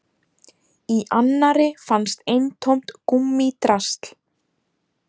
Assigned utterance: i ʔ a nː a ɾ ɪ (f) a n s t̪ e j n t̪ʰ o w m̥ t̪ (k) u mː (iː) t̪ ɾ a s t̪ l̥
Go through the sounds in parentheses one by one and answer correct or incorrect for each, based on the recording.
correct, correct, incorrect

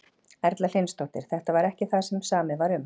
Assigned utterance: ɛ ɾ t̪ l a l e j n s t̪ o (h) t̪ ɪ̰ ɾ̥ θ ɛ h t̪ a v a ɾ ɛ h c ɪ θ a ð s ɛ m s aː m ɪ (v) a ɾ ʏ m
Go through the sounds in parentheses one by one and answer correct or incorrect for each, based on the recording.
correct, correct

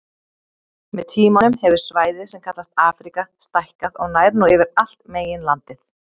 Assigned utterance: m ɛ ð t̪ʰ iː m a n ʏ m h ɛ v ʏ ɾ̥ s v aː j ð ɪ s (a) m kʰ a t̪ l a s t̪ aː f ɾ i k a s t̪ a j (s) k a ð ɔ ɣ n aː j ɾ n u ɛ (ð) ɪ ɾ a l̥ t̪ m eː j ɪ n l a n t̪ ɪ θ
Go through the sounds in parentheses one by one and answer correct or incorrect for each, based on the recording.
incorrect, incorrect, incorrect

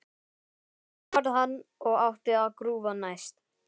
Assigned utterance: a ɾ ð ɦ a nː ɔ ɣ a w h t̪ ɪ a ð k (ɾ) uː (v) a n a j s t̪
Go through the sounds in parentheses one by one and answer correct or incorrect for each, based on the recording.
correct, correct

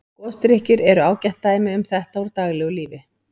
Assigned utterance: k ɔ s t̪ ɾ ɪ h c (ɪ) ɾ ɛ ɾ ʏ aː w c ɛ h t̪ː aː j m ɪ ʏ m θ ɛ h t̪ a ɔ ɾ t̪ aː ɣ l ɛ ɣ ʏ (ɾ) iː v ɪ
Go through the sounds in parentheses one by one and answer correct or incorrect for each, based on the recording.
correct, incorrect

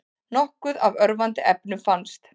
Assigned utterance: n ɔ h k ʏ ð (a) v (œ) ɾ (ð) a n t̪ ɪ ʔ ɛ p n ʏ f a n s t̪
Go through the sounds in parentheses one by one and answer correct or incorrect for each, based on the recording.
correct, correct, incorrect

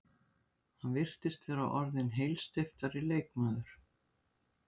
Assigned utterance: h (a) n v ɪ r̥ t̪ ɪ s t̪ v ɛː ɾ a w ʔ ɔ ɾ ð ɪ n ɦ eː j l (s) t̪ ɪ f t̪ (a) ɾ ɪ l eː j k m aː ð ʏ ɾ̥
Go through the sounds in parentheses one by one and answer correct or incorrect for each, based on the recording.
correct, correct, correct

